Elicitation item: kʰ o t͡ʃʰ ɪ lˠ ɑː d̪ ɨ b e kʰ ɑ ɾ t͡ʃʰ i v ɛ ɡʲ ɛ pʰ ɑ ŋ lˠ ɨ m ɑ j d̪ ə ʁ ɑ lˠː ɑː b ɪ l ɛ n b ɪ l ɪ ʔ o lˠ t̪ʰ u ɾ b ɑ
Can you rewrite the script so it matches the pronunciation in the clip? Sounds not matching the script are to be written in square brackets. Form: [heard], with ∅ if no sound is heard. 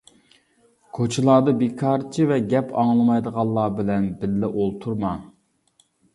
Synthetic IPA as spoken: kʰ o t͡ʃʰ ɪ lˠ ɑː d̪ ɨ b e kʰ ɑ ɾ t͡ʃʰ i v ɛ ɡʲ ɛ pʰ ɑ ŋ lˠ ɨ m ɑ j d̪ ə ʁ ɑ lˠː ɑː b ɪ l ɛ n b ɪ [lː] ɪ ʔ o lˠ t̪ʰ u ɾ [m] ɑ